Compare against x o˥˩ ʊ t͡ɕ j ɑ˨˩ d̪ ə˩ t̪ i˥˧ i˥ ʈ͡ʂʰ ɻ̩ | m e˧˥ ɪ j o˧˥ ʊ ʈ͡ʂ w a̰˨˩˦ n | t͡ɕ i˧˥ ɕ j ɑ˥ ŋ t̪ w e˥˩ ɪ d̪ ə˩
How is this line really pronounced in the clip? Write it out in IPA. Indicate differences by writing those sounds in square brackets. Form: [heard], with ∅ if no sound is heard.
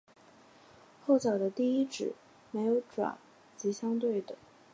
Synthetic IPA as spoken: x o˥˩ ʊ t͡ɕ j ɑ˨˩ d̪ [ə˦] t̪ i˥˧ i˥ [ʈ͡ʂ] ɻ̩ | m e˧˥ ɪ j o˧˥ ʊ ʈ͡ʂ w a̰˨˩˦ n | t͡ɕ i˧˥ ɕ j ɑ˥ ŋ t̪ w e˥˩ ɪ d̪ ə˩